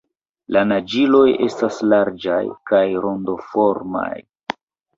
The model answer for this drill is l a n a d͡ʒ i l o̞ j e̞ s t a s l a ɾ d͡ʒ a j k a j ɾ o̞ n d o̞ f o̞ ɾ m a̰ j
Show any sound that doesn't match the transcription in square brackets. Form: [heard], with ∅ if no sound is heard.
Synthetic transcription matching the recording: l a n a d͡ʒ i l o̞ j e̞ s t a s l a ɾ d͡ʒ a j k a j ɾ o̞ n d o̞ f o̞ ɾ m a̰ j